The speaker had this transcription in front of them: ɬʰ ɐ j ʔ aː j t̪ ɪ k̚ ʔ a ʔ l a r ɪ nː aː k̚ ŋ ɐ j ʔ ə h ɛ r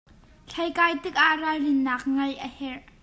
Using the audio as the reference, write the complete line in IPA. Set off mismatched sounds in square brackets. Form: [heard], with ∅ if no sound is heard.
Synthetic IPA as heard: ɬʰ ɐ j [k] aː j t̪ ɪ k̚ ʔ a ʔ [r] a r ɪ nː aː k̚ ŋ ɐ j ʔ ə h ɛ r